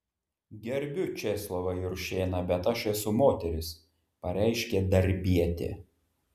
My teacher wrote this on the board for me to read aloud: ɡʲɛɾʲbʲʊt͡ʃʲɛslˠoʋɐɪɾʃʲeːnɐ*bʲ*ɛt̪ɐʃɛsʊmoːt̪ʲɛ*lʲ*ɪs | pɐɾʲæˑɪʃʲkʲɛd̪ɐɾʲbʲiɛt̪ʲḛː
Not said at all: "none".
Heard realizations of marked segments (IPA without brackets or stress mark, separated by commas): bʲ, ɾʲ